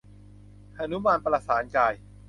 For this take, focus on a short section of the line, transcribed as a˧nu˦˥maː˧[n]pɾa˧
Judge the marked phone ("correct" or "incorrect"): correct